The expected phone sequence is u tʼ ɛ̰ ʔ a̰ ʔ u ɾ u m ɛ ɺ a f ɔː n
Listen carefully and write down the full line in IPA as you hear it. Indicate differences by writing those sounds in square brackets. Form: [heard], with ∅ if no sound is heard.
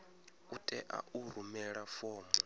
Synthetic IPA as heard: u tʼ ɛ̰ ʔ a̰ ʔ u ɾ u m ɛ ɺ a f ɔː [m]